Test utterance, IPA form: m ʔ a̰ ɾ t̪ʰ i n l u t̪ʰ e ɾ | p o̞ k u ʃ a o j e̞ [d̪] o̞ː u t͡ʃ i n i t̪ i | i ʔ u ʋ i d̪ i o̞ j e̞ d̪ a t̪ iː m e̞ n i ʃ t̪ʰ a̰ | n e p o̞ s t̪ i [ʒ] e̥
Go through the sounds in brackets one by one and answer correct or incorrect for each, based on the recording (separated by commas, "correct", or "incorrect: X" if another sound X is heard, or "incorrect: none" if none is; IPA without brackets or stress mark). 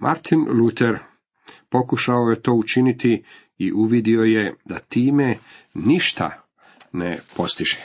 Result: incorrect: t̪, correct